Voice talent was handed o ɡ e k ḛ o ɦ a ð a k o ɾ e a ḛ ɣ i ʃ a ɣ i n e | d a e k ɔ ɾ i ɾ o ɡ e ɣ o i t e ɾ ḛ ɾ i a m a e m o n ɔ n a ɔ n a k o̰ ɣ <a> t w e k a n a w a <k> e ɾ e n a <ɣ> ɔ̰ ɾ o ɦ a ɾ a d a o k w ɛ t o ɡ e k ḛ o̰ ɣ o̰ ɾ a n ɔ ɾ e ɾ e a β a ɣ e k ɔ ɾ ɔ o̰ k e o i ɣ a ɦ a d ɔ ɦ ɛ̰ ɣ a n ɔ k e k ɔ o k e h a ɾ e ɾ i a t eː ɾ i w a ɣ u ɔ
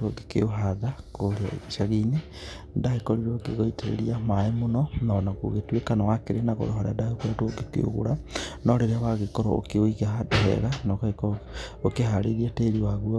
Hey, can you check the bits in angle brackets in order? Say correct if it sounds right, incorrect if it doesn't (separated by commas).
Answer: incorrect, correct, correct